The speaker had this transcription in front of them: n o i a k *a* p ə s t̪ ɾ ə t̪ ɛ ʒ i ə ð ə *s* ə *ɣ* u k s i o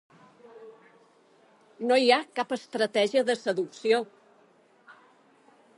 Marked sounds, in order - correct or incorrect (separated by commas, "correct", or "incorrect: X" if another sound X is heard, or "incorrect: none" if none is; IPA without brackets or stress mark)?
correct, correct, incorrect: ð